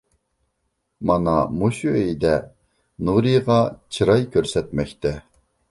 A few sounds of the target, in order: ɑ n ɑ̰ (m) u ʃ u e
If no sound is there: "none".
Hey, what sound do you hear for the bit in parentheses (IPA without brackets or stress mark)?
m